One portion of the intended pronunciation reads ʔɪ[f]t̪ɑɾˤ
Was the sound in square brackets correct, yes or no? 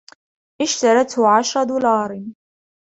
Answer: no